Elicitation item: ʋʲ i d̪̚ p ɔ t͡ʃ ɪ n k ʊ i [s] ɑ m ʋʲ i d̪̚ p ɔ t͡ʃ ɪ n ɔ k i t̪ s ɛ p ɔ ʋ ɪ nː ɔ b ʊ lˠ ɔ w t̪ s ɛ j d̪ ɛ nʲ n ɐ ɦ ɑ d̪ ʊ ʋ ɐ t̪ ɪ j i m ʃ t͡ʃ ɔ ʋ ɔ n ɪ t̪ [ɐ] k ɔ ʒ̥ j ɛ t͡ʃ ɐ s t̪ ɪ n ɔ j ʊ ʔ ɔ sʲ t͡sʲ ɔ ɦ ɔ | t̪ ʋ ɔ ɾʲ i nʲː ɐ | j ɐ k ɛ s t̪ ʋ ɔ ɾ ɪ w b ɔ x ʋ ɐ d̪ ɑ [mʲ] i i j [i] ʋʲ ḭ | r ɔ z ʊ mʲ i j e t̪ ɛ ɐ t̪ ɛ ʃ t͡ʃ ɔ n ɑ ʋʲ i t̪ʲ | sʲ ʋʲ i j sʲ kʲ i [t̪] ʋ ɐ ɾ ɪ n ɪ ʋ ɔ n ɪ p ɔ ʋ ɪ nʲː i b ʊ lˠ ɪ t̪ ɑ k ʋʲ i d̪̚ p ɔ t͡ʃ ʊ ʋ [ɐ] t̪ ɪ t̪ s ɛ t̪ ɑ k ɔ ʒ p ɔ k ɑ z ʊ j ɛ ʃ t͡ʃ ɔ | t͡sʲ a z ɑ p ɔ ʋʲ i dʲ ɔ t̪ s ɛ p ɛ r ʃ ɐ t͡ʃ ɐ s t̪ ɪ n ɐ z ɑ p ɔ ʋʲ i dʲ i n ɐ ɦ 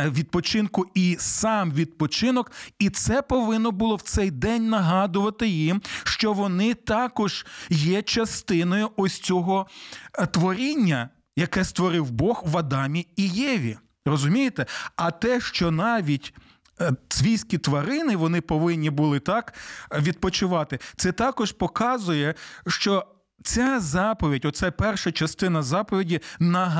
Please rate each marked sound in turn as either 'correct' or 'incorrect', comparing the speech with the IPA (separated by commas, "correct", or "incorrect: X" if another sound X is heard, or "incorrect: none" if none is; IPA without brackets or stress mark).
correct, incorrect: ɑ, correct, incorrect: ɛ, correct, incorrect: ɑ